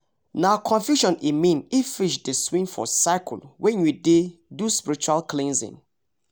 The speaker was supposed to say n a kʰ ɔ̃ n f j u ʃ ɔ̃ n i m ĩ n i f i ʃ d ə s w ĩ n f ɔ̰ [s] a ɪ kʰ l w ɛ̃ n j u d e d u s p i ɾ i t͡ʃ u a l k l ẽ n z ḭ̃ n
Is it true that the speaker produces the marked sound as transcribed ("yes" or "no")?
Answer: yes